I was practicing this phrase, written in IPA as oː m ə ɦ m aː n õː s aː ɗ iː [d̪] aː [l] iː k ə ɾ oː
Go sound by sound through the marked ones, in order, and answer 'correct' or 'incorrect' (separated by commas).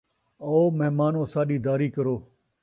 correct, incorrect